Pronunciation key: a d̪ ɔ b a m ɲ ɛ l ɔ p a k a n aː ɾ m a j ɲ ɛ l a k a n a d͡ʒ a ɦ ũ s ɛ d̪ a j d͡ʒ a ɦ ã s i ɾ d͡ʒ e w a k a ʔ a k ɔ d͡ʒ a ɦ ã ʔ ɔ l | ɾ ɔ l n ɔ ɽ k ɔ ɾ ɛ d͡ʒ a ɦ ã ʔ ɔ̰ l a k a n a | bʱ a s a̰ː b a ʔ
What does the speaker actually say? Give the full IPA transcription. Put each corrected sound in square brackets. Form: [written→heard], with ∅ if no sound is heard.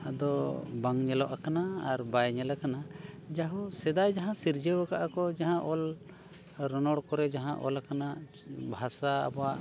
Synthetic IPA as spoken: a d̪ ɔ b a [m→ŋ] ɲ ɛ l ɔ [p→ʔ] a k a n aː ɾ [m→b] a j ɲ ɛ l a k a n a d͡ʒ a ɦ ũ s ɛ d̪ a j d͡ʒ a ɦ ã s i ɾ d͡ʒ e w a k a ʔ a k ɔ d͡ʒ a ɦ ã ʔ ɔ l | ɾ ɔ [l→∅] n ɔ ɽ k ɔ ɾ ɛ d͡ʒ a ɦ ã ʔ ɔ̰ l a k a n a | bʱ a s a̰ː b a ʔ